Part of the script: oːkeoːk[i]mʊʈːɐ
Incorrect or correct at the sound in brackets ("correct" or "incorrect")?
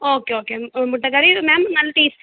incorrect